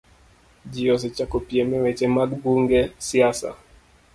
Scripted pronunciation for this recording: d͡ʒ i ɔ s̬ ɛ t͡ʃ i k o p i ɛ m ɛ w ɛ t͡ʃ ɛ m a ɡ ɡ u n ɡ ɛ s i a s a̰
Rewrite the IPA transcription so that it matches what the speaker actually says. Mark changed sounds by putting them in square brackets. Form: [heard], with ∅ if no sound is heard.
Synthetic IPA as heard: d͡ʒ i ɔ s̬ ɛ t͡ʃ [a] k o p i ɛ m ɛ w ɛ t͡ʃ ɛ m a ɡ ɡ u [ŋ] ɡ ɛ s i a s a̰